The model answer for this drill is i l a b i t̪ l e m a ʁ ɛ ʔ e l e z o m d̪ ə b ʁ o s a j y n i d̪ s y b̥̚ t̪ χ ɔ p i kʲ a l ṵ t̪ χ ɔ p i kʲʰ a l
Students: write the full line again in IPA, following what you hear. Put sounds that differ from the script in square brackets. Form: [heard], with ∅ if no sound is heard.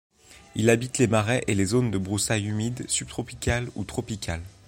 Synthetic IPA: i l a b i t̪ l e m a ʁ ɛ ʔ e l e z o [n] d̪ ə b ʁ [u] s a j y [m] i d̪ s y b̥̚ t̪ χ ɔ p i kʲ a l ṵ t̪ χ ɔ p i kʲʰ a l